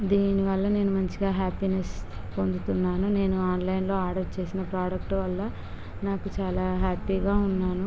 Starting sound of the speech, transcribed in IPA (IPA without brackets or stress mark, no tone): d̪